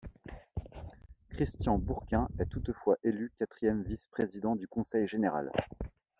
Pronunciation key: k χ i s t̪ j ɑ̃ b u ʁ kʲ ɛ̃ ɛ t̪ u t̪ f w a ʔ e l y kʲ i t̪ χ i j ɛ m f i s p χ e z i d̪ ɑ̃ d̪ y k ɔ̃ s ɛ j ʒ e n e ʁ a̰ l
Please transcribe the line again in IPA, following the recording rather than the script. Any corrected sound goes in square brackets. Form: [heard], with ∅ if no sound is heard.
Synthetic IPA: k χ i s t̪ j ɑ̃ b u ʁ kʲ ɛ̃ ɛ t̪ u t̪ f w a ʔ e l y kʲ [a] t̪ χ i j ɛ m [v] i s p χ e z i d̪ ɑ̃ d̪ y k ɔ̃ s ɛ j ʒ e n e ʁ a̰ l